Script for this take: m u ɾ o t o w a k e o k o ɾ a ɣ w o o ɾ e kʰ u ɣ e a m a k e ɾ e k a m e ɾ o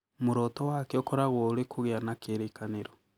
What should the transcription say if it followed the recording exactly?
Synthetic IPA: m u ɾ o t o w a k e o k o ɾ a ɣ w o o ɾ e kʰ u ɣ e a n a k e ɾ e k a n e ɾ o